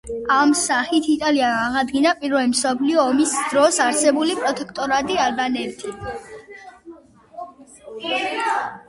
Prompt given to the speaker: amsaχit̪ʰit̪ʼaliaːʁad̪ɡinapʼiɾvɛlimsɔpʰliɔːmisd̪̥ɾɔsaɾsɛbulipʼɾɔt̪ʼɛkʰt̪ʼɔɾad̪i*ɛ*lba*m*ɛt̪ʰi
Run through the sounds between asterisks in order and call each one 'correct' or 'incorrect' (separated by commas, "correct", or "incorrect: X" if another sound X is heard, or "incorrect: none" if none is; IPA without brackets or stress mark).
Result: incorrect: a, incorrect: n